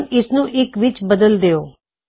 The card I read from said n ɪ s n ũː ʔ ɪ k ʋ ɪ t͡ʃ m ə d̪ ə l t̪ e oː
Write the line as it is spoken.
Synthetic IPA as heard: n ɪ s n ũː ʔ ɪ k ʋ ɪ t͡ʃ b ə d̪ ə l d̪ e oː